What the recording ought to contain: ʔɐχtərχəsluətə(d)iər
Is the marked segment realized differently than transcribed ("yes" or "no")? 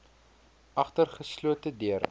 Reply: no